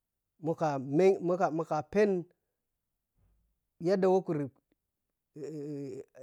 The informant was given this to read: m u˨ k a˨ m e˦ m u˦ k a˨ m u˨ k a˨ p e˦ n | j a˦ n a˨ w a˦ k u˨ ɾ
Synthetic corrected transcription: m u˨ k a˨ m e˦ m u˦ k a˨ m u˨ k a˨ p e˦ n | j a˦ d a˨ w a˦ k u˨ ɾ